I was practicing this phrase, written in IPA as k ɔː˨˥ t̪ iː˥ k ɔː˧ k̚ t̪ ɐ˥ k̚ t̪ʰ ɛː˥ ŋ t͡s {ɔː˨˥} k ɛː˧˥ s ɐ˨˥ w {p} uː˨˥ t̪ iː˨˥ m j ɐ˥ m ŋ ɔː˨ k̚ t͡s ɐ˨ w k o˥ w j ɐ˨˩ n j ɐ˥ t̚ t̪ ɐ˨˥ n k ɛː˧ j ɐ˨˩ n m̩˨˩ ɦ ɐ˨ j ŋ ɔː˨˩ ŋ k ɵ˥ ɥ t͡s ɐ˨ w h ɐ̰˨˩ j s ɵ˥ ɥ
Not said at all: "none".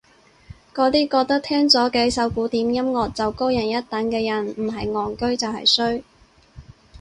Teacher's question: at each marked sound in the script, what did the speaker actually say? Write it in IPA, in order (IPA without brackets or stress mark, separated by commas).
ɔː˨˥, k